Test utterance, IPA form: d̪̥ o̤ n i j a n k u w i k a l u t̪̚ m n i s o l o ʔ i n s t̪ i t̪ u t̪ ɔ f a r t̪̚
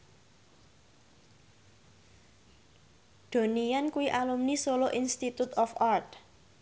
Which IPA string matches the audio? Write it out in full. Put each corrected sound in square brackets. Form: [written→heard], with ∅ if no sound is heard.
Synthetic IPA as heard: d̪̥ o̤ n i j a n k u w i [k→ʔ] a l u [t̪̚→∅] m n i s o l o ʔ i n s t̪ i t̪ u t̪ ɔ f a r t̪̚